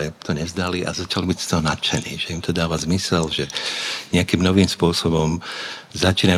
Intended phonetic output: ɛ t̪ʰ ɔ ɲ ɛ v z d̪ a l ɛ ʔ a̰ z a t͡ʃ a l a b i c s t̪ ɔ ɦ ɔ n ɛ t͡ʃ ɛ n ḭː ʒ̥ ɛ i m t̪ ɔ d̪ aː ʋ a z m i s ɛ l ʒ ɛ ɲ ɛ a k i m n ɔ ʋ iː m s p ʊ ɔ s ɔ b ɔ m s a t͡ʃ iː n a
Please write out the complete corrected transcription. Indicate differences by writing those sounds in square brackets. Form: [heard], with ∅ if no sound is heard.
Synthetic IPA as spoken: ɛ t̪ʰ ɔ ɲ ɛ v z d̪ a l [i] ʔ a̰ z a t͡ʃ a l [i] b i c s t̪ ɔ ɦ ɔ n [a] t͡ʃ ɛ n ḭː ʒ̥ ɛ i m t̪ ɔ d̪ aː ʋ a z m i s ɛ l ʒ ɛ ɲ ɛ a k i m n ɔ ʋ iː m s p ʊ ɔ s ɔ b ɔ m [z] a t͡ʃ iː n a